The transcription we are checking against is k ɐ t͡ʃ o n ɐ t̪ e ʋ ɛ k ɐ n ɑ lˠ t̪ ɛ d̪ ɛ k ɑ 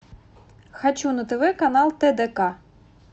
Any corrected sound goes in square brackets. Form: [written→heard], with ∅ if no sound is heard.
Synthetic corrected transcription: [k→x] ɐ t͡ʃ [o→u] n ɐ t̪ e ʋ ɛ k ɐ n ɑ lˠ t̪ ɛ d̪ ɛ k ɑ